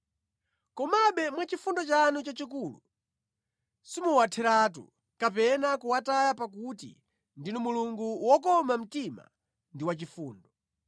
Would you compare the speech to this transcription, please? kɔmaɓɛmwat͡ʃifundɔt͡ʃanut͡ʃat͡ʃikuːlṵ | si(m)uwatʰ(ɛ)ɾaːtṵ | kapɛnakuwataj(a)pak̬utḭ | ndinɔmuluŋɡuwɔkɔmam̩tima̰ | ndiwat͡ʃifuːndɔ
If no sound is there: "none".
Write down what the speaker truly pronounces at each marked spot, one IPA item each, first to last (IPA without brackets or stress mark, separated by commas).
m, ɛ, a